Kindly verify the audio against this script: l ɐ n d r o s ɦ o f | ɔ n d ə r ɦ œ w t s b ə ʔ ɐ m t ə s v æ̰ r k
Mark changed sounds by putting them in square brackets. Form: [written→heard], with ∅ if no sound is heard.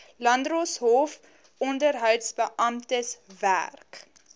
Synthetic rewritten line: l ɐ n d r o s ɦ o f | ɔ n d ə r ɦ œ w t s b ə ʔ ɐ m t ə s v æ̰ r k